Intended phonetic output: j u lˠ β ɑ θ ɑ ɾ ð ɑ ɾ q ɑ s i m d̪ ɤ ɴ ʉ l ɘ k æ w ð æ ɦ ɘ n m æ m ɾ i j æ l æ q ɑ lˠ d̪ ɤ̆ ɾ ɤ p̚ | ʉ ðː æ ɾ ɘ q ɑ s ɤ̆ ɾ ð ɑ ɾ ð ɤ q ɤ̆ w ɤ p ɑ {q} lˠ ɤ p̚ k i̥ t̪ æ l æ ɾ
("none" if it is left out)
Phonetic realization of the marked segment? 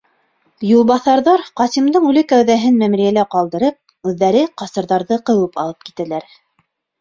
none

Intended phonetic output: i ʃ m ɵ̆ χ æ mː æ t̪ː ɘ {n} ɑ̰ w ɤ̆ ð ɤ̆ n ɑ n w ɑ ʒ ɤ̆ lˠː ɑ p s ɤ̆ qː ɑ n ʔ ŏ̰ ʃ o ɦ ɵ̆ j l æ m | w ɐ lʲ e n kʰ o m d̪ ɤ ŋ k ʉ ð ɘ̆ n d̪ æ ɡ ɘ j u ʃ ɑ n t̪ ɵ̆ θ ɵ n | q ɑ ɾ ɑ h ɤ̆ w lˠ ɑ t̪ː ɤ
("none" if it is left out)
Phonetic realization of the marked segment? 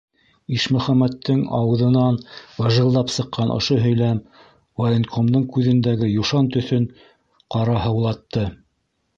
ŋ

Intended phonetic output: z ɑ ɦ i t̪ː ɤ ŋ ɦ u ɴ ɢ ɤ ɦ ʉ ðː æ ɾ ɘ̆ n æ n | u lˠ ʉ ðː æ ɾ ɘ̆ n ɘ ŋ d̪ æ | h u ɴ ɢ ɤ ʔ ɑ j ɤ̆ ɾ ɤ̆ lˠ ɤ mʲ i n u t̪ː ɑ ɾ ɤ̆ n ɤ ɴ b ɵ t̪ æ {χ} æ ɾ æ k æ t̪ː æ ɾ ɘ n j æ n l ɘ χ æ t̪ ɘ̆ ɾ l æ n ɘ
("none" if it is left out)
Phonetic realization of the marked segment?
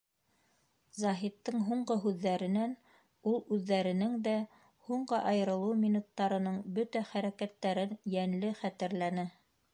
χ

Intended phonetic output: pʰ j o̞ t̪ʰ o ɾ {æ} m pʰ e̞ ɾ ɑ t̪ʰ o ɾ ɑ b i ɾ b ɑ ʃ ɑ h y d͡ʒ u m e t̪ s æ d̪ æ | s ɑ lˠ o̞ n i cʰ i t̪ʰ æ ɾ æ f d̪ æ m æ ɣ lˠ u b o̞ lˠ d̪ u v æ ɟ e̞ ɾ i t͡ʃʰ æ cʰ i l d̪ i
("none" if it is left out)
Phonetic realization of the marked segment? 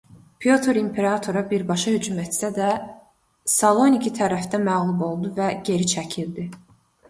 i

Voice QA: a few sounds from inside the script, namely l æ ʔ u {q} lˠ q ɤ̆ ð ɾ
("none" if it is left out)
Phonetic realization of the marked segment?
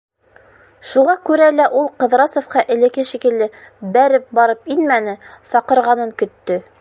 none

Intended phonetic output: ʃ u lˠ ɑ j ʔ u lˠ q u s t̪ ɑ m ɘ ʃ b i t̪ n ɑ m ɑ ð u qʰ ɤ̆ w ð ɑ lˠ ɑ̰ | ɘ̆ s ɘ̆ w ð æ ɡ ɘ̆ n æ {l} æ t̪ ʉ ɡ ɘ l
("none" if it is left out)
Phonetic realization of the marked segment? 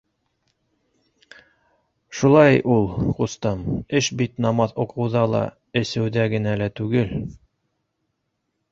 l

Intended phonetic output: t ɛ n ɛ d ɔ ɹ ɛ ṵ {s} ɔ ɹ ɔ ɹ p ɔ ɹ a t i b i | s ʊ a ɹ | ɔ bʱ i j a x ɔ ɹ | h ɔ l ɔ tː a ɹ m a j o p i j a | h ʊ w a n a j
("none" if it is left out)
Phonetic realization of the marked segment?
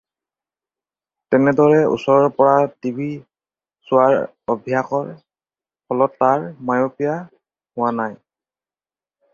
s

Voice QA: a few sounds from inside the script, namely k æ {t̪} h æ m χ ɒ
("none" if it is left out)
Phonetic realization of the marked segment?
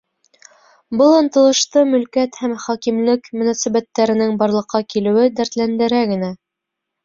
t̪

